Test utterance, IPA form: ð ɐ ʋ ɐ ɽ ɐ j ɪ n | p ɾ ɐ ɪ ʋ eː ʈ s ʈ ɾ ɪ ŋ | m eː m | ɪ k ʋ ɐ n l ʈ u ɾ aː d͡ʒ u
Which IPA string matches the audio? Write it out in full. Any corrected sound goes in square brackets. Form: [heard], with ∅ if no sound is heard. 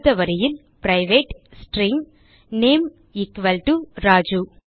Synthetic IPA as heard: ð ɐ ʋ ɐ [ɾ] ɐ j ɪ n | p ɾ ɐ ɪ ʋ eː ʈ s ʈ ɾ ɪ ŋ | [n] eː m | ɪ k ʋ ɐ [∅] l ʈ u ɾ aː d͡ʒ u